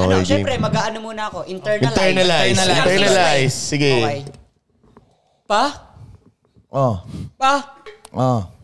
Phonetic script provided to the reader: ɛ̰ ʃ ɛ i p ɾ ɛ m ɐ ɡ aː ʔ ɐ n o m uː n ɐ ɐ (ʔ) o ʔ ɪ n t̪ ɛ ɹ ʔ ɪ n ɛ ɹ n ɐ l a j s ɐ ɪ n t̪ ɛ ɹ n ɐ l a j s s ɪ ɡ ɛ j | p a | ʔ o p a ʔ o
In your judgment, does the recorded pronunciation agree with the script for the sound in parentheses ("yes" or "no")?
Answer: no